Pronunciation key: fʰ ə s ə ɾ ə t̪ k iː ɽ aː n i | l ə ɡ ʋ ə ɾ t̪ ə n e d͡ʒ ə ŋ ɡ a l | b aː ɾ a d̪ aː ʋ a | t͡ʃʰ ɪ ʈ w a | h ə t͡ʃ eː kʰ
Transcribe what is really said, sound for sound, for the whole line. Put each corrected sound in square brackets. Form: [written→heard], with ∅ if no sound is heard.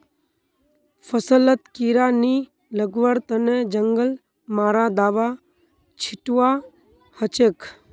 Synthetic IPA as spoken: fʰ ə s ə [ɾ→l] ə t̪ k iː [ɽ→ɾ] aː n i | l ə ɡ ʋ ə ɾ t̪ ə n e d͡ʒ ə ŋ ɡ [a→ə] l | [b→m] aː ɾ a d̪ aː ʋ a | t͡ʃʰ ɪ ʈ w a | h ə t͡ʃ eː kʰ